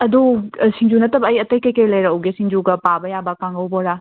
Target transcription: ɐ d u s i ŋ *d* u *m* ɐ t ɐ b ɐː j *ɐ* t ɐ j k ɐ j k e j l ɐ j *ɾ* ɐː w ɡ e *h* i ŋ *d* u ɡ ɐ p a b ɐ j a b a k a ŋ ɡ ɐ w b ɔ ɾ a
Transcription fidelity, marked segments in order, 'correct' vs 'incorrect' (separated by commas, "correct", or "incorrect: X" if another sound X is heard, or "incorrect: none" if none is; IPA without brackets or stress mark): incorrect: d͡ʒ, incorrect: n, correct, correct, incorrect: s, incorrect: d͡ʒ